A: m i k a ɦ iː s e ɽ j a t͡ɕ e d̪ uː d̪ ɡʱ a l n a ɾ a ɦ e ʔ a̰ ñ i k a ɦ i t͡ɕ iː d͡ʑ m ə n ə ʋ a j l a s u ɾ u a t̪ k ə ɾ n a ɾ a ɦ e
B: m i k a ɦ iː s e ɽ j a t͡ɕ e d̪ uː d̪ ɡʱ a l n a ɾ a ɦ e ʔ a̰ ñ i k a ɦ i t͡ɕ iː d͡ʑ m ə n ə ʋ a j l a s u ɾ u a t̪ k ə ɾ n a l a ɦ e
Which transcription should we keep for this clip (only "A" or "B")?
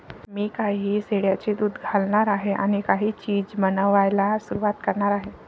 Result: A